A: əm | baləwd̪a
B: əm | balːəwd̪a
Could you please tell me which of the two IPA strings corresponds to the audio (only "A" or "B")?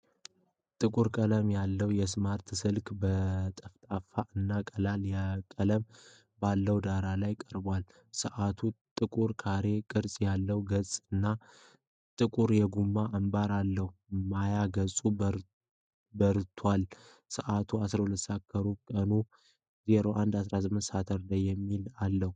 B